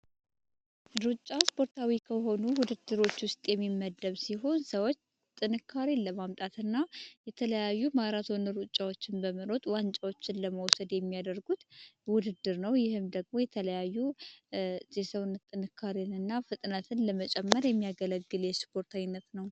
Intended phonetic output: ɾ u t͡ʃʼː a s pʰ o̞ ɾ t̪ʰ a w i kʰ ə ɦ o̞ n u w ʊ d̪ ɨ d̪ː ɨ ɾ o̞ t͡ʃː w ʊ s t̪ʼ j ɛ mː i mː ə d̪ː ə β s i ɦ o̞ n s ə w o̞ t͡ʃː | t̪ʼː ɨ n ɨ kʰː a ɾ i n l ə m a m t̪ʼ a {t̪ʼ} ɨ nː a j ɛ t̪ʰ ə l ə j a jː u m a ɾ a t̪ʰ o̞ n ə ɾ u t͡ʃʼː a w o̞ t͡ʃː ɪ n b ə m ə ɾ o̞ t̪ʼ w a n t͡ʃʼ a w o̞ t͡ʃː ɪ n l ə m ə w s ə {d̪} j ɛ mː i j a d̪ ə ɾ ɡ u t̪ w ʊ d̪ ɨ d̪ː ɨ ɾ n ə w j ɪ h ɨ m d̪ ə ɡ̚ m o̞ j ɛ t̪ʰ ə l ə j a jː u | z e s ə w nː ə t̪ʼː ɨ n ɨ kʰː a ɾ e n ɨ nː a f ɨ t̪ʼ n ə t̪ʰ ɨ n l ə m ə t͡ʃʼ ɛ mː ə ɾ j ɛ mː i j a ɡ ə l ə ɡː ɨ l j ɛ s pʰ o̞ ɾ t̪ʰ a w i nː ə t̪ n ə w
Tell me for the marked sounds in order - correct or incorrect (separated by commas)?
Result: incorrect, correct